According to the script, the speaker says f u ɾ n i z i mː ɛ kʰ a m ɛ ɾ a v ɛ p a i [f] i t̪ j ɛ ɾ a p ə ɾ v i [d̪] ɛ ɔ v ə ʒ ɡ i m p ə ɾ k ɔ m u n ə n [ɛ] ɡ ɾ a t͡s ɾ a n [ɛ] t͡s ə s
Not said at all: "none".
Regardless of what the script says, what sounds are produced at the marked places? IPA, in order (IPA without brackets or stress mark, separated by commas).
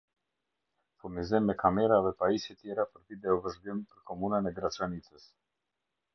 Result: s, d̪, ɛ, i